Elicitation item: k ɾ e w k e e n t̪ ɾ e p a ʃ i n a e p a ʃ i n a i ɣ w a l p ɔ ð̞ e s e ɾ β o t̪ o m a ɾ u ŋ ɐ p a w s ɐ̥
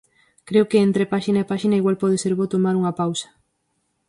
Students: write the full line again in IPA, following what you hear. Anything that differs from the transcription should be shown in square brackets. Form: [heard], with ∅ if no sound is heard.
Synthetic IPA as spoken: k ɾ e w k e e n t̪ ɾ e p a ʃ i n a e p a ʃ i n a i ɣ w a l p ɔ ð̞ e s e ɾ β o t̪ o m a ɾ u ŋ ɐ p a w s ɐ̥